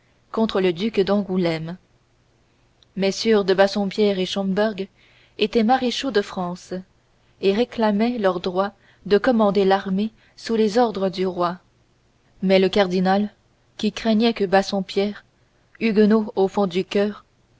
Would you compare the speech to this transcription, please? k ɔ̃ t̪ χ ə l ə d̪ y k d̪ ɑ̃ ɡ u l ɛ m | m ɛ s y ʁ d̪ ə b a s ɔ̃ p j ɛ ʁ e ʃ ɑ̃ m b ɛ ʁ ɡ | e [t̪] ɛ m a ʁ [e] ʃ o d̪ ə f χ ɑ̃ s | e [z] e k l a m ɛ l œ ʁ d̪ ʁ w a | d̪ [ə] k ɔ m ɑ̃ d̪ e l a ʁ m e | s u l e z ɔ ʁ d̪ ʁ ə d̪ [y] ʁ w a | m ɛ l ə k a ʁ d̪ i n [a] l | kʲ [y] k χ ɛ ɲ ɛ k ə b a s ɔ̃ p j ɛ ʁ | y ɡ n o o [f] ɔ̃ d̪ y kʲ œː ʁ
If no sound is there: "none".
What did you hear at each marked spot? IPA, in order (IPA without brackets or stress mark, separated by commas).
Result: t̪, e, ʁ, ə, y, a, i, f